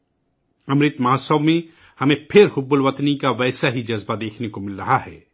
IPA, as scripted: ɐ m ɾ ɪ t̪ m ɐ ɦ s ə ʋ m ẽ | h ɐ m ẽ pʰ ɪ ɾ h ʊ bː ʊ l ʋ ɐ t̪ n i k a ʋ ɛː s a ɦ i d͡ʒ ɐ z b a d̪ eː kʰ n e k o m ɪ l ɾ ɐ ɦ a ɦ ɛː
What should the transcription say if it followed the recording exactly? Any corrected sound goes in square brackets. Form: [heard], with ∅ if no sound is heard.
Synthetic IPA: ɐ m ɾ ɪ t̪ m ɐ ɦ s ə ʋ m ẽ | h ɐ m ẽ pʰ ɪ ɾ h ʊ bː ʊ l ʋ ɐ t̪ n i k a ʋ ɛː s a ɦ i d͡ʒ ɐ z b a d̪ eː kʰ n e k o m ɪ l ɾ ɐ ɦ a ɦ ɛː